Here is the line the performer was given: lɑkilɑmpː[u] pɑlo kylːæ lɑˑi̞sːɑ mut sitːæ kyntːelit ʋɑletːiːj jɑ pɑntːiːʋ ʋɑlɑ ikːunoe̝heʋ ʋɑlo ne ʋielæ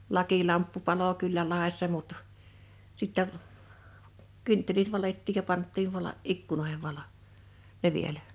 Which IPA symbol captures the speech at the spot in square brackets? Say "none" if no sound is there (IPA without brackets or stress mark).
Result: u